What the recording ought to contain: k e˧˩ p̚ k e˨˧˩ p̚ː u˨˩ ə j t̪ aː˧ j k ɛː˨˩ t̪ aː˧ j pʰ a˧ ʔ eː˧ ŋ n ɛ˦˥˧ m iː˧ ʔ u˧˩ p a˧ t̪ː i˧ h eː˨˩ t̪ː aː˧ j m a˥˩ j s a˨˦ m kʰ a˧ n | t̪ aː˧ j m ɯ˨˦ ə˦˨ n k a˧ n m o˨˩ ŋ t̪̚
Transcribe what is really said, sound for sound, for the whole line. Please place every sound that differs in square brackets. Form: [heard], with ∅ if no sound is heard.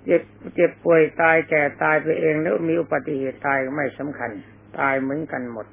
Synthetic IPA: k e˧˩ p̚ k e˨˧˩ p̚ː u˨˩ ə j t̪ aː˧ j k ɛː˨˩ t̪ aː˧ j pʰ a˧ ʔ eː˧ ŋ n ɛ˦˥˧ m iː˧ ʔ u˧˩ p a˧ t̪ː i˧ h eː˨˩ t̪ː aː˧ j m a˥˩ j s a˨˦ m kʰ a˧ n | t̪ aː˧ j m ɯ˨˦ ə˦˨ n k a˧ n m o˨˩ [∅] t̪̚